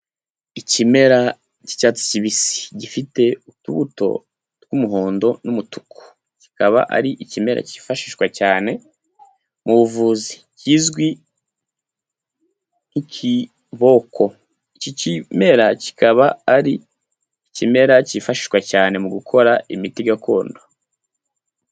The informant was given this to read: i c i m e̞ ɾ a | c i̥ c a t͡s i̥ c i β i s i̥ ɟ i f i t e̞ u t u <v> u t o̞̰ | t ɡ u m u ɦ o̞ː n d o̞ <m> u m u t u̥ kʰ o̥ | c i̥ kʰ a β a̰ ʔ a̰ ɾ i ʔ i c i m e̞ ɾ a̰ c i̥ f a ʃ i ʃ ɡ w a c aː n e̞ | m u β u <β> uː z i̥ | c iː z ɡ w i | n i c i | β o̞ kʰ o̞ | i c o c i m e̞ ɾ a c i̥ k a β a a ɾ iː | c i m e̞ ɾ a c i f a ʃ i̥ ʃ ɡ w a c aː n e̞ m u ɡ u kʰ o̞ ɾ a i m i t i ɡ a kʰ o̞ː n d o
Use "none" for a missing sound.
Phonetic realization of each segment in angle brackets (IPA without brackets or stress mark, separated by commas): β, n, v